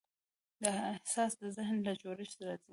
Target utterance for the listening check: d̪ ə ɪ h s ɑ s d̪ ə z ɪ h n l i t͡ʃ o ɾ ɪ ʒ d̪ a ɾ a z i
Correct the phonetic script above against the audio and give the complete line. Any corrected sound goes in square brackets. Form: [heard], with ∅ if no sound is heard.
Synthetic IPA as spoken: d̪ ə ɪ h s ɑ s d̪ ə z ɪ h n l [a] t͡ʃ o ɾ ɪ [ʃ] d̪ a ɾ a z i